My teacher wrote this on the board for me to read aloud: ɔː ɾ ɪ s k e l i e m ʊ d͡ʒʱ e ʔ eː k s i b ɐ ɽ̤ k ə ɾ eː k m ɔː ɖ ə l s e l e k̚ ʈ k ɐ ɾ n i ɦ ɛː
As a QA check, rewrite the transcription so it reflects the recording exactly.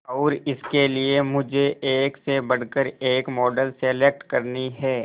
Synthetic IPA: ɔː ɾ ɪ s k e l i e m ʊ d͡ʒʱ e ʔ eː k s e b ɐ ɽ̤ k ə ɾ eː k m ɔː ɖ ə l s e l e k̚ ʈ k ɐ ɾ n i ɦ ɛː